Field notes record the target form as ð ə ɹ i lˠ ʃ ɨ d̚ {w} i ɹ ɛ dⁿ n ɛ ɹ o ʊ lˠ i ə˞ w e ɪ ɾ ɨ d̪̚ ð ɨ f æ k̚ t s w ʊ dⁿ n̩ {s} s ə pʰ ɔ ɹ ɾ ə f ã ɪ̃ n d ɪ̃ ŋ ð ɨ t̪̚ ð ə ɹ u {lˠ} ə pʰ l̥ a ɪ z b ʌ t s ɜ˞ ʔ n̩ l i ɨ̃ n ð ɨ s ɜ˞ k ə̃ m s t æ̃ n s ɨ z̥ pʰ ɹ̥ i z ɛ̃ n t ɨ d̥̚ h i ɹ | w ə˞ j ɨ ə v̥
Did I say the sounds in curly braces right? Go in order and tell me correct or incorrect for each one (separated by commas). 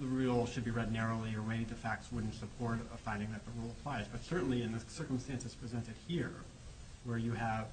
incorrect, incorrect, correct